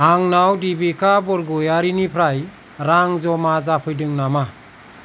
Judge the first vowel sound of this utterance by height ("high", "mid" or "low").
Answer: low